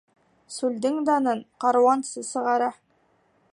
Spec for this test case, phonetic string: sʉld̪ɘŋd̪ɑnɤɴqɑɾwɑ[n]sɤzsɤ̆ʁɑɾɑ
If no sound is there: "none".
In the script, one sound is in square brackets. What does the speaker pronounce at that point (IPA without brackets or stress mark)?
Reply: n